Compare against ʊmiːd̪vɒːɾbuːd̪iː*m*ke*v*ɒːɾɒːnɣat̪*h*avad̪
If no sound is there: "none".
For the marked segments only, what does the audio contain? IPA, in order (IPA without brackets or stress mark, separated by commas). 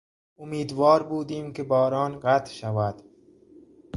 m, b, ʃ